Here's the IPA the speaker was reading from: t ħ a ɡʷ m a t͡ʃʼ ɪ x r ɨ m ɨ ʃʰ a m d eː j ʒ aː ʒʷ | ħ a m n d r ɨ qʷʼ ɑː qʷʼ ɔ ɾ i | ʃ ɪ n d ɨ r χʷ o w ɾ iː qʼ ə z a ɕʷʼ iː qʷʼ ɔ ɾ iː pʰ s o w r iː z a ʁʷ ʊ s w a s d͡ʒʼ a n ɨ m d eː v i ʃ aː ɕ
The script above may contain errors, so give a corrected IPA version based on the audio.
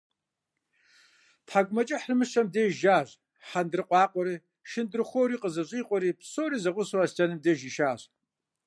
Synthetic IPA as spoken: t ħ a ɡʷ m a t͡ʃʼ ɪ ħ r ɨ m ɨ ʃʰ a m d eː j ʒ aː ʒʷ | ħ a n d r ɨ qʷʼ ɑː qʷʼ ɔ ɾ i | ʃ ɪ n d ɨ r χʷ o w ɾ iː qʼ ə z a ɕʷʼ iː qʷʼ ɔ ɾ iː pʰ s o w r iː z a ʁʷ ʊ s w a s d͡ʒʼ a n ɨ m d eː ʒ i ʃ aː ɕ